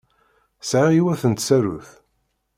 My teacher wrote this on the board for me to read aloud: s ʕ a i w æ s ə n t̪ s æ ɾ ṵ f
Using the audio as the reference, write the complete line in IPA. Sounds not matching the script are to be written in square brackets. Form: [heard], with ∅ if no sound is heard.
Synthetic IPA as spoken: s ʕ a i w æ [θ] ə n t̪ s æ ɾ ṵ [θ]